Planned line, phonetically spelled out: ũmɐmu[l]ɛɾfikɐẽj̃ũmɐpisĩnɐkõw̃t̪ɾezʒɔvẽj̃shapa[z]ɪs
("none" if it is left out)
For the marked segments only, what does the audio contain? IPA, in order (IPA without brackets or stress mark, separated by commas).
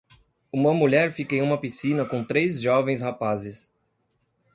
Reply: ʎ, z